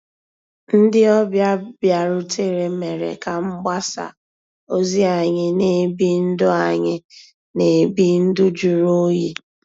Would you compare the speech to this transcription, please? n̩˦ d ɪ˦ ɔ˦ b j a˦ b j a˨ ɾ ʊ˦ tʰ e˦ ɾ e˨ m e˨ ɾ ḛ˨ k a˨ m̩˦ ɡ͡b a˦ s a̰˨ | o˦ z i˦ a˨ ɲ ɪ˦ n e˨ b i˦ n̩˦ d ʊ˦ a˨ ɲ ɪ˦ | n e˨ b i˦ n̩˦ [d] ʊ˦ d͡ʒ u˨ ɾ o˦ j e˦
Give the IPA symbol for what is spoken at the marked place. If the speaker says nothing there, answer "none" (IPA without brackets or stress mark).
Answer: d